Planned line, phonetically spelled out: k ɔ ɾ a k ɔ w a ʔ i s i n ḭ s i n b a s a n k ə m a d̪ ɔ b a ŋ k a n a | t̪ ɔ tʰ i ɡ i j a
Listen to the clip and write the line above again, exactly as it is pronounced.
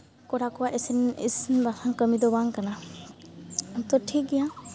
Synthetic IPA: k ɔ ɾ a k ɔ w a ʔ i s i n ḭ s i n b a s a ŋ k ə m i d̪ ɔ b a ŋ k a n a | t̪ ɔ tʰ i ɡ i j a